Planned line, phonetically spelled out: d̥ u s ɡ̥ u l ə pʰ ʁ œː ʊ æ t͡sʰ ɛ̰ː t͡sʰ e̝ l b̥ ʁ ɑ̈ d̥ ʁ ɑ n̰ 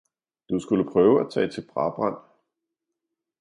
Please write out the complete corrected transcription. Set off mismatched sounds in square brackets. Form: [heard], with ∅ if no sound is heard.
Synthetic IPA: d̥ u s ɡ̥ u l ə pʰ ʁ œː ʊ æ t͡sʰ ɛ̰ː t͡sʰ e̝ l b̥ ʁ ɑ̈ [b̥] ʁ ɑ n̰